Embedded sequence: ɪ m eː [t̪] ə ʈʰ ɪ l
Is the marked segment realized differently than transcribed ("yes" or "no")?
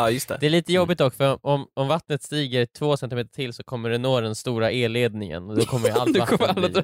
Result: no